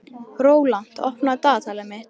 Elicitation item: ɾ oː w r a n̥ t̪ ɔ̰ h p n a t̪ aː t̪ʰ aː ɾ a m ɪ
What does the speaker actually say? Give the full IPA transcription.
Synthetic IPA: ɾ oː w l a n̥ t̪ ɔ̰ h p n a t̪ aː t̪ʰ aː l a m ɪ

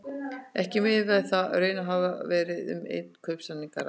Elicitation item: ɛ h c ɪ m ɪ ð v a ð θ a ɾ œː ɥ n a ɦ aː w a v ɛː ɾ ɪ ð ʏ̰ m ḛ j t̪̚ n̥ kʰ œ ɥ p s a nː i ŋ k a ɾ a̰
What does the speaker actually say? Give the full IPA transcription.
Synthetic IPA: ɛ h c ɪ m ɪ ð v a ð θ a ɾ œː ɥ n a ɦ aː v a v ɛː ɾ ɪ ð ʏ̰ m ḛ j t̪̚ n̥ kʰ œ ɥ p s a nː i ŋ k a ɾ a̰

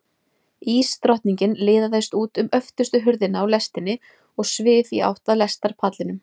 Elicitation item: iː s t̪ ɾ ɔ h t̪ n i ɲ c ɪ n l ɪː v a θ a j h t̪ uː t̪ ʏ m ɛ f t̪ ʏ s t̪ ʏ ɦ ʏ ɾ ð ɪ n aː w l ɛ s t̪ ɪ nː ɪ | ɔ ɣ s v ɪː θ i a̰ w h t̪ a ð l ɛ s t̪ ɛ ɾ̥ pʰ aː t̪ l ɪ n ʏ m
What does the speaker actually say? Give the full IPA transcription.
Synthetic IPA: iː s t̪ ɾ ɔ h t̪ n i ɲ c ɪ n l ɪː ð a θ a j s t̪ uː t̪ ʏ m œ f t̪ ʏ s t̪ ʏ ɦ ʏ ɾ ð ɪ n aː w l ɛ s t̪ ɪ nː ɪ | ɔ ɣ s v ɪː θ i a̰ w h t̪ a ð l ɛ s t̪ a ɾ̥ pʰ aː t̪ l ɪ n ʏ m

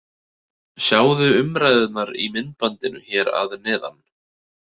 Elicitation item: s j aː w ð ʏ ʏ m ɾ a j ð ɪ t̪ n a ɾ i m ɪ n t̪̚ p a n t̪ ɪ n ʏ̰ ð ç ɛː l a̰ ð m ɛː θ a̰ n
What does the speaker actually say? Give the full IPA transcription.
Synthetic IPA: s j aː w ð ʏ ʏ m ɾ a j ð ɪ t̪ n a ɾ i m ɪ n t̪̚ p a n t̪ ɪ n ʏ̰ ç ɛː ɾ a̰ ð n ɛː ð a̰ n

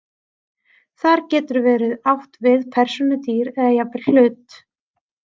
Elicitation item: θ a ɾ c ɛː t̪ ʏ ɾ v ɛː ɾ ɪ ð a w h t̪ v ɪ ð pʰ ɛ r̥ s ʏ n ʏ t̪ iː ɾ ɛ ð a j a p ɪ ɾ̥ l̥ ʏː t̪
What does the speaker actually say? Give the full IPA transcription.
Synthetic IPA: θ a ɾ c ɛː t̪ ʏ ɾ v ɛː ɾ ɪ ð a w h t̪ v ɪ ð pʰ ɛ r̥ s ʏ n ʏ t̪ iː ɾ ɛ ð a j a p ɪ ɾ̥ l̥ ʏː t̪

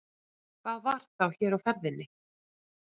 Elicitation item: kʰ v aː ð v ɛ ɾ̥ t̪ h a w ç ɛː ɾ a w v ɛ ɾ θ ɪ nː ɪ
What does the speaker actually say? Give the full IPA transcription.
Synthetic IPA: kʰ v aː ð v a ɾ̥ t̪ θ a w ç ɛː ɾ a w f ɛ ɾ ð ɪ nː ɪ

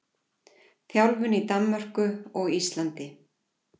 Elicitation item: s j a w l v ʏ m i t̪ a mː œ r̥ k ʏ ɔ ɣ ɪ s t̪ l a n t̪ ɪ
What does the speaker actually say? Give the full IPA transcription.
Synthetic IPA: θ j a w l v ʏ n i t̪ a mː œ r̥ k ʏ ɔ ɣ i s t̪ l a n t̪ ɪ

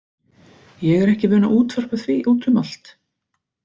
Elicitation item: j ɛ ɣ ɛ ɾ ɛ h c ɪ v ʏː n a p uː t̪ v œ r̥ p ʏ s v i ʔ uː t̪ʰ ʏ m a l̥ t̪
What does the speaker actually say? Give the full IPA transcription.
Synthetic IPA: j ɛ ɣ ɛ ɾ ɛ h c ɪ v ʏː n a ʔ uː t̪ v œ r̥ p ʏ θ v i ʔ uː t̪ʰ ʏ m a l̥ t̪

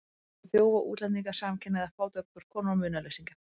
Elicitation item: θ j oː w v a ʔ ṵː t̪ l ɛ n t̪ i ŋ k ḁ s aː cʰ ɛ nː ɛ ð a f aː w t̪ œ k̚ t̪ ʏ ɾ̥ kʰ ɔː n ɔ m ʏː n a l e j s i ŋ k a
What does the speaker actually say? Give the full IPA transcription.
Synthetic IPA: θ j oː w v a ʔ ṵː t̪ l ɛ n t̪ i ŋ k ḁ s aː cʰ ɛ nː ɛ ð a f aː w t̪ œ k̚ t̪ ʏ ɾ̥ kʰ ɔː n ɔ m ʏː n a l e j s i ŋ k a

